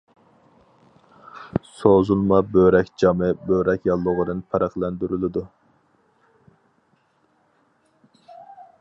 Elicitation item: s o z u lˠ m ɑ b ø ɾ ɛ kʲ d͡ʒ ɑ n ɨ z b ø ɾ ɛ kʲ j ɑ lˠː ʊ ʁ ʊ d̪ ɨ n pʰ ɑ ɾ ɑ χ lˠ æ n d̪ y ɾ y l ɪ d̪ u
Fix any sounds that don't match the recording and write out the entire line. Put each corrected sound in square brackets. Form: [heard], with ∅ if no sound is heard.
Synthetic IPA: s o z u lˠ m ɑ b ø ɾ ɛ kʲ d͡ʒ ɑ [m] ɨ [∅] b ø ɾ ɛ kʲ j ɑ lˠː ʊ ʁ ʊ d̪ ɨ n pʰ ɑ ɾ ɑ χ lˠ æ n d̪ y ɾ y l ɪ d̪ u